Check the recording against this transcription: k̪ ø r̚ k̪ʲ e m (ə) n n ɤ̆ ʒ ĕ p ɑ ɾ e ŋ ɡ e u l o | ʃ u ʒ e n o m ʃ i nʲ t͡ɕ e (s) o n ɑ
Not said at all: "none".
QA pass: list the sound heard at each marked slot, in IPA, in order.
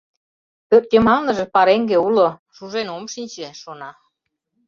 ɑ, ʃ

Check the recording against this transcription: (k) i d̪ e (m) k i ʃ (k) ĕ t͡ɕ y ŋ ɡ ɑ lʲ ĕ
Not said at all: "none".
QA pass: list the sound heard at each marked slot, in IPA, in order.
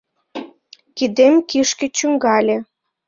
k, m, k

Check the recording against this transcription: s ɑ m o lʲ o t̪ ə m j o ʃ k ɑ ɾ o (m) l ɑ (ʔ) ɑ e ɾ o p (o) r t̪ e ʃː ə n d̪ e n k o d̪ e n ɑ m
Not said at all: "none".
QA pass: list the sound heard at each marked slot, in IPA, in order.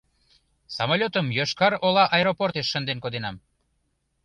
none, ʔ, o

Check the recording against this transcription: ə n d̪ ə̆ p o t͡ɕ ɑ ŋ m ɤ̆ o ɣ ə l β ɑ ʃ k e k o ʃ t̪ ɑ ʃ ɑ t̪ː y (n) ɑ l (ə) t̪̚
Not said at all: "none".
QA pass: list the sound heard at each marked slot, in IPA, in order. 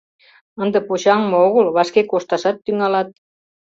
ŋ, ɑ

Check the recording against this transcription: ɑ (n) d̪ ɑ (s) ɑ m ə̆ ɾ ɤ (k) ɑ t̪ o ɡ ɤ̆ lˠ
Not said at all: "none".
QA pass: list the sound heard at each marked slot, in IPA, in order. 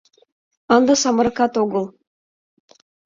n, s, k

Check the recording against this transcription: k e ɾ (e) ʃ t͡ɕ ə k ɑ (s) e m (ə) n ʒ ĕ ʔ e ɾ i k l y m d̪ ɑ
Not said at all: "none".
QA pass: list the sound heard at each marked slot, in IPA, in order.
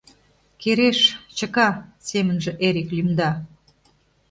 e, s, ə

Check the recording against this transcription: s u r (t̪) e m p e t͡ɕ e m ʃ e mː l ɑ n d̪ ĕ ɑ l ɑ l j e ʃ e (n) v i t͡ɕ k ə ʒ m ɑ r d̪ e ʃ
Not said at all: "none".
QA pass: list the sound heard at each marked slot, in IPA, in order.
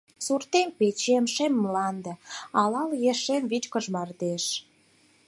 t̪, m

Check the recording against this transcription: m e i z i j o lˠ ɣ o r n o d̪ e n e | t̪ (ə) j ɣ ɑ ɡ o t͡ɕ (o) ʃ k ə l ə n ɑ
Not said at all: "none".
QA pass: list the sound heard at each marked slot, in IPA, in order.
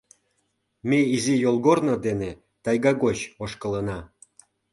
ɑ, o

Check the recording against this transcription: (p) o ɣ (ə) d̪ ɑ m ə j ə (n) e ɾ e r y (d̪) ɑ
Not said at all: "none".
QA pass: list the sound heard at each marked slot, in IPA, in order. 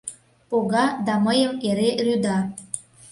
p, ɑ, m, d̪

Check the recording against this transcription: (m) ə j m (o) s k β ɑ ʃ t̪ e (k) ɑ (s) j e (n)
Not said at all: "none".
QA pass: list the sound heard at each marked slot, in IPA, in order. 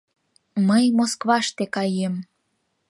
m, o, k, none, m

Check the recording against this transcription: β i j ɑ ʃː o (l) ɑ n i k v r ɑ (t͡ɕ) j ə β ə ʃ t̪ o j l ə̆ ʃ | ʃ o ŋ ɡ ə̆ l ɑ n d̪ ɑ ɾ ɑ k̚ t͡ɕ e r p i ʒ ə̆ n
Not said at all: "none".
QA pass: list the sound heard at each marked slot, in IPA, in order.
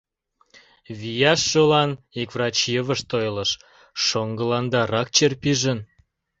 l, t͡ɕ

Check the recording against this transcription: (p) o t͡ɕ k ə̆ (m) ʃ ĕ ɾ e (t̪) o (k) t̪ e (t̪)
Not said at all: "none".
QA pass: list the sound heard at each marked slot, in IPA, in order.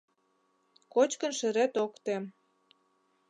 k, n, t̪, k, none

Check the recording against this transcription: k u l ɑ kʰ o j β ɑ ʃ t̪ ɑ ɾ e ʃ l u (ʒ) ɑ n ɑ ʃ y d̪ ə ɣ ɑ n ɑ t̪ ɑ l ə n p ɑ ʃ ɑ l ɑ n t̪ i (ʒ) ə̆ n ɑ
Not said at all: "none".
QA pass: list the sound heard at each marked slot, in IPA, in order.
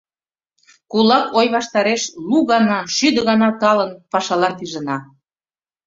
ɣ, ʒ

